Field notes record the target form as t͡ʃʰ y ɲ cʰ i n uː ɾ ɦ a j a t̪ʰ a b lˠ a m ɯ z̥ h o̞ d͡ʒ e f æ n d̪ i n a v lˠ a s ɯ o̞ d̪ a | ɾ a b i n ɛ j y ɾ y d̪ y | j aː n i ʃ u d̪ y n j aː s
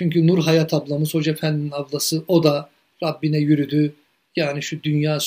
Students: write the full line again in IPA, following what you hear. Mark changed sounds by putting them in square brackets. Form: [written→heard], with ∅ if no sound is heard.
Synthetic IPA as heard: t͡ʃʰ y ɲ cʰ [i→y] n [uː→u] ɾ ɦ a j a t̪ʰ a b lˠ a m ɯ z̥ h o̞ d͡ʒ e f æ n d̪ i n a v lˠ a s ɯ o̞ d̪ a | ɾ a [b→bː] i n ɛ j y ɾ y d̪ y | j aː n i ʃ u d̪ y n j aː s